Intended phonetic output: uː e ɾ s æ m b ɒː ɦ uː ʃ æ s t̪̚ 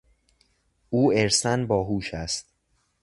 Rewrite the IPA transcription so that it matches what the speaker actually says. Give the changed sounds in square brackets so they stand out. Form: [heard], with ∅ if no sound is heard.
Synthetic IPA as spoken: uː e ɾ s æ [n] b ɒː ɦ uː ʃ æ s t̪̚